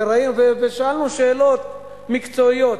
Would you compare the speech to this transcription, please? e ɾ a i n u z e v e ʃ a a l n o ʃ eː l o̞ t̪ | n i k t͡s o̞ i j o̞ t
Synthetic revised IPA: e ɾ a i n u v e v e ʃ a a l n u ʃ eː l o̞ t̪ | m i k t͡s o̞ i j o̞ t